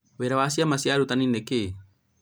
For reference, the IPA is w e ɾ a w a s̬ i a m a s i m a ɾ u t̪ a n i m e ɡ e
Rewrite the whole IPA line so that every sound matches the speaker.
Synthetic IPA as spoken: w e ɾ a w a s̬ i a m a s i a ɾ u t̪ a n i n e k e